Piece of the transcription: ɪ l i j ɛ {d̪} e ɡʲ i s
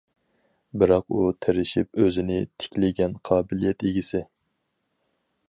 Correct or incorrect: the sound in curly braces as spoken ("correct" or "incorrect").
incorrect